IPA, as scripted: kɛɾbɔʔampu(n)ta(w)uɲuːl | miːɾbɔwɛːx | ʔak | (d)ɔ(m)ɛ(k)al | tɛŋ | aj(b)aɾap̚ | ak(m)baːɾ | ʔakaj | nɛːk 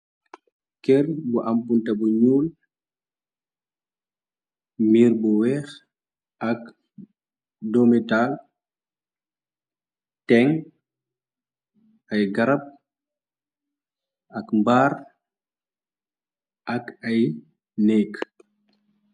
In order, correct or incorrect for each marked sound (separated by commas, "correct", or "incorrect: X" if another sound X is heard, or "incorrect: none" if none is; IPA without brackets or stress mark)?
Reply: correct, incorrect: b, correct, correct, incorrect: t, incorrect: ɡ, correct